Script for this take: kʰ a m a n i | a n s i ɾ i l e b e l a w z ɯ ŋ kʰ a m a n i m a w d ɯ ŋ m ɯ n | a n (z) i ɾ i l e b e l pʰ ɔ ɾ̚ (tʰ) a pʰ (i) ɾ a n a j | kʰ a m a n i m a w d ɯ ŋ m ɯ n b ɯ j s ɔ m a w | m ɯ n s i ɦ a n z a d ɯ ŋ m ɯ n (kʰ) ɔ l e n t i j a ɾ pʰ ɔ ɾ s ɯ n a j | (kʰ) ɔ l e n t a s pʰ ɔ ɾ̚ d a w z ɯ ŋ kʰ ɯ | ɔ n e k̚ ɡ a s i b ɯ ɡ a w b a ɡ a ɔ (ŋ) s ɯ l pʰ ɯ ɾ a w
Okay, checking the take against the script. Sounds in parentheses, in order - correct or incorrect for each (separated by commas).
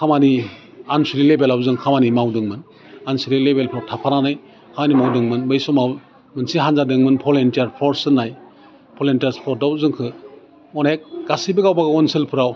incorrect, correct, incorrect, incorrect, incorrect, incorrect